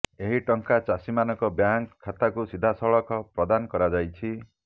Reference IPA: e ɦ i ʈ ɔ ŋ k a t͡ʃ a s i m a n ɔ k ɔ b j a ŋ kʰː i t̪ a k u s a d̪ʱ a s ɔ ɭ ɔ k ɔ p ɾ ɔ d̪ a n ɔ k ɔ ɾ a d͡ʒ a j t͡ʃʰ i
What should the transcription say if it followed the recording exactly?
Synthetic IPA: e ɦ i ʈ ɔ ŋ k a t͡ʃ a s i m a n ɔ k ɔ b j a ŋ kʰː a t̪ a k u s i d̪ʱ a s ɔ ɭ ɔ k ɔ p ɾ ɔ d̪ a n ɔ k ɔ ɾ a d͡ʒ a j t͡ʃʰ i